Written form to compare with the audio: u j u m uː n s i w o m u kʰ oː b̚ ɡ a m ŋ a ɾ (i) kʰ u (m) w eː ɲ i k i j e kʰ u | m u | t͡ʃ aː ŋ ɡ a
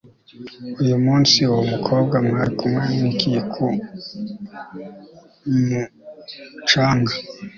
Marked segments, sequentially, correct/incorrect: correct, correct

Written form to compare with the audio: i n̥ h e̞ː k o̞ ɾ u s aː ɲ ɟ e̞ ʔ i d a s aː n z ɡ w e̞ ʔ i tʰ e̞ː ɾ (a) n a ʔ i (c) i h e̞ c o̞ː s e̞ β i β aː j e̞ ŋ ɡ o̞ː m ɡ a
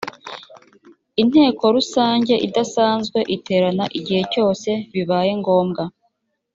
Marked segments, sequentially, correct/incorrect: correct, incorrect

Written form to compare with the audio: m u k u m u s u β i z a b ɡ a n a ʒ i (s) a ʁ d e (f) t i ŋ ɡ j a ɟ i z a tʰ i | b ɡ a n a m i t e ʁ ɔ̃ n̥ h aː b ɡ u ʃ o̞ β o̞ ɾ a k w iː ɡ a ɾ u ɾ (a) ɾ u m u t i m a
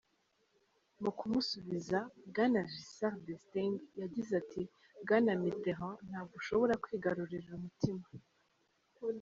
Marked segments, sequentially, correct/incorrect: correct, incorrect, incorrect

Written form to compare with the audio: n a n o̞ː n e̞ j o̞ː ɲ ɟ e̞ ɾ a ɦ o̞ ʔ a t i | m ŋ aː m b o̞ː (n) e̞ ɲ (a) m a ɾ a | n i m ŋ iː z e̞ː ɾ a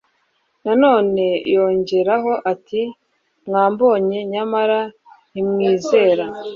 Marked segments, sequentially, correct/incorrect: incorrect, correct

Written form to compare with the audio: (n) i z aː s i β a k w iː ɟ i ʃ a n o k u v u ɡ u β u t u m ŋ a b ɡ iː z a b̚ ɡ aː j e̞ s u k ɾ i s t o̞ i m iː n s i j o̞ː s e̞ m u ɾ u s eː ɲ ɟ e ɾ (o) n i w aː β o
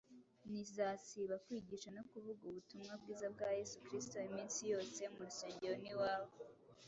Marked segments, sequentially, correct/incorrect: correct, correct

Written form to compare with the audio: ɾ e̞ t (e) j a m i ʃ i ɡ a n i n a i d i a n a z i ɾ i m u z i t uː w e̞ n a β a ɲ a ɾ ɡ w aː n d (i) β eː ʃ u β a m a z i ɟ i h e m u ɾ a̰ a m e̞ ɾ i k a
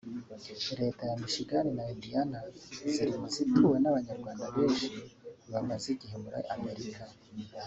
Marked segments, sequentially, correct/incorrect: incorrect, incorrect

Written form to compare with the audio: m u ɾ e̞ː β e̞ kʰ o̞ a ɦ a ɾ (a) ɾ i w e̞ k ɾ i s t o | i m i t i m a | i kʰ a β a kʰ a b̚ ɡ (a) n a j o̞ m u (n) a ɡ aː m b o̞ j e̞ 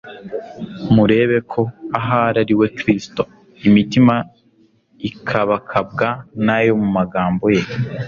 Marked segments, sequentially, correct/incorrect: correct, correct, incorrect

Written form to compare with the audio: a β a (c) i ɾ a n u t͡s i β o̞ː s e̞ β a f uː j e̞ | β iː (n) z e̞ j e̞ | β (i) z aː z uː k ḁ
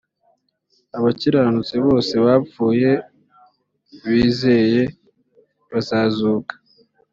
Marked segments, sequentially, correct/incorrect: correct, incorrect, incorrect

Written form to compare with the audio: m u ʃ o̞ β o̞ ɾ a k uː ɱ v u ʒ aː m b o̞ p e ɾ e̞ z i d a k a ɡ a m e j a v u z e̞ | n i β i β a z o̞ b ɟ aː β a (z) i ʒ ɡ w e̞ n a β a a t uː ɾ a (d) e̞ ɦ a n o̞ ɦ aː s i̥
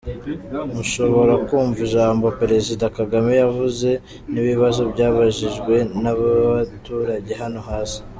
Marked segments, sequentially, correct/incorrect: incorrect, incorrect

